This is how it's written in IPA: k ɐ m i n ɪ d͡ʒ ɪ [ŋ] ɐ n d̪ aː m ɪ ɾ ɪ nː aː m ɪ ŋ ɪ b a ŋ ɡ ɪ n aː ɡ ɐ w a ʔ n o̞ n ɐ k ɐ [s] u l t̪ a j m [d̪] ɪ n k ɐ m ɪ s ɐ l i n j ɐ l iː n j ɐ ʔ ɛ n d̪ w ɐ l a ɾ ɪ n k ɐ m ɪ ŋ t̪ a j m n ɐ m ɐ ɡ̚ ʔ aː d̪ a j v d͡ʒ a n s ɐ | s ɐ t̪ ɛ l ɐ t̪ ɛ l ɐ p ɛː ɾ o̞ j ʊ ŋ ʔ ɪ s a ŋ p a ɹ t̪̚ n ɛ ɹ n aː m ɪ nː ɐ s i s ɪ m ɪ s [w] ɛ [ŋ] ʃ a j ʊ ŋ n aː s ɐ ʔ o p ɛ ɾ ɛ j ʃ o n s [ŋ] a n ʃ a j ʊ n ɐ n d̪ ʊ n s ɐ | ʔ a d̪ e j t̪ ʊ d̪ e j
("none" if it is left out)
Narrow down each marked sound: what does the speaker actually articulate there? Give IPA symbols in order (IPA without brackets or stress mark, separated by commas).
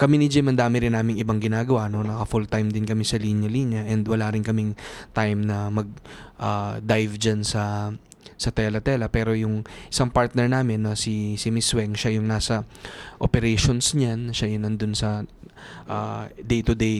m, f, d̪, w, ŋ, ɲ